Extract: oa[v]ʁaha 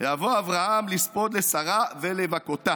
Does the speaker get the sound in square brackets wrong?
no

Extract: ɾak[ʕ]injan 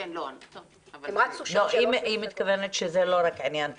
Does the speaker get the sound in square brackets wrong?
no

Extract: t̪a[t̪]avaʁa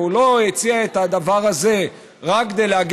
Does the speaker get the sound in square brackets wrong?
yes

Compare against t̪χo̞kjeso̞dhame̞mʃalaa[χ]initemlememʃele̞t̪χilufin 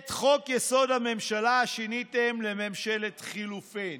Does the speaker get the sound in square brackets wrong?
yes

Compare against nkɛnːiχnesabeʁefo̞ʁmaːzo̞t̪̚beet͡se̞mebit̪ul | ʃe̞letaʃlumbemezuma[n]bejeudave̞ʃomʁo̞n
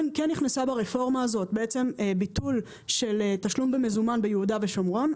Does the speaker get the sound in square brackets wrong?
no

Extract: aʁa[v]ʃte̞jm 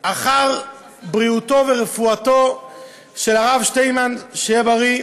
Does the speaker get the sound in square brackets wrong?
no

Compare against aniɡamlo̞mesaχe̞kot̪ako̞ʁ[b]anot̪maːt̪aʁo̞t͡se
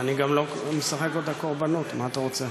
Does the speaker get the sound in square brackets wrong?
no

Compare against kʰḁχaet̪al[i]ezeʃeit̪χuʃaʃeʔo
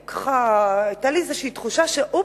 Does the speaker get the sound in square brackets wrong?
no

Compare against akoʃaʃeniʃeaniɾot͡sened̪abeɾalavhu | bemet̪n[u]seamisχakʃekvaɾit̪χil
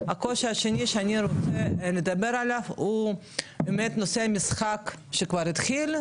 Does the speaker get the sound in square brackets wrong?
yes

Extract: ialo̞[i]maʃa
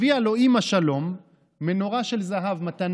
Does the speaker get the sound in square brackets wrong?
no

